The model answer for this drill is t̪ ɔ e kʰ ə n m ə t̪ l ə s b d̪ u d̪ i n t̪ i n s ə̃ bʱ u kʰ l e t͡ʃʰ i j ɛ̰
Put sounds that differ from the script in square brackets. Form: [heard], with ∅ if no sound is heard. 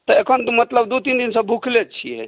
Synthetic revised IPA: t̪ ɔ e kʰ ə n m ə t̪ l ə [∅] b d̪ u [t̪] i n [d̪] i n s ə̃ bʱ u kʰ l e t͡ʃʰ i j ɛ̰

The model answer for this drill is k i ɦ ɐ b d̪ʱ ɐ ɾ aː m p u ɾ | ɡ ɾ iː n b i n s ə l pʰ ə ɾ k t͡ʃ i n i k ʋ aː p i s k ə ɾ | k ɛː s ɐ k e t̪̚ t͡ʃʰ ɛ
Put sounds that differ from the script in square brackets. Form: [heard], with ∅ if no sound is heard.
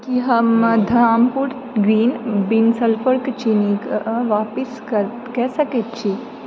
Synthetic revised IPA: k i ɦ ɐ [m] d̪ʱ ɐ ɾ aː m p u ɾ | ɡ ɾ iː n b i n s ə l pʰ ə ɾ k t͡ʃ i n i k ʋ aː p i s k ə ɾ | k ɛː s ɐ k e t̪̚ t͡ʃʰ [i]

